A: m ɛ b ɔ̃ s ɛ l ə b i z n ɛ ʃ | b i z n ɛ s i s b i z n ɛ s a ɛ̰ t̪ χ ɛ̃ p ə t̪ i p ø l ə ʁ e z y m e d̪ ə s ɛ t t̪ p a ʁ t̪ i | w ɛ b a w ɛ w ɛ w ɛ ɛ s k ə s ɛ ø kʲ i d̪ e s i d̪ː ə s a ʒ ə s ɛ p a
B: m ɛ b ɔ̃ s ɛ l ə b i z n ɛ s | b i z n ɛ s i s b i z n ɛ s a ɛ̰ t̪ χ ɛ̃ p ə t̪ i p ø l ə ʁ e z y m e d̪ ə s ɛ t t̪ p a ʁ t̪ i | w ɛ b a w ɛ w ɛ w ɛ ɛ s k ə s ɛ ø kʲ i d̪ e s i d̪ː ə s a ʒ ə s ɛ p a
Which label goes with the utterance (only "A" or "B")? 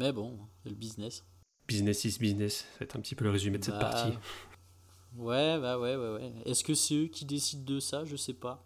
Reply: B